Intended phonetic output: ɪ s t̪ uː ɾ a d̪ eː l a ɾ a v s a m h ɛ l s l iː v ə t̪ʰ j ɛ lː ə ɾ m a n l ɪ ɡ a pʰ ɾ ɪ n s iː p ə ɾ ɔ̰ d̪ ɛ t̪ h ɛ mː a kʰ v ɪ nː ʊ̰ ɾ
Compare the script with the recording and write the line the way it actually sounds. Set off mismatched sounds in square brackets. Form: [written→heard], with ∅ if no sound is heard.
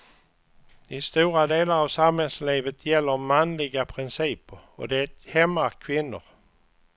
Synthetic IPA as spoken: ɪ s t̪ uː ɾ a d̪ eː l a ɾ a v s a m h ɛ l s l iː v ə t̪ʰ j ɛ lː ə ɾ m a n l ɪ ɡ a pʰ ɾ ɪ n s iː p ə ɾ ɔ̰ d̪ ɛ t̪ h ɛ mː a kʰ v ɪ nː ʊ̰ ɾ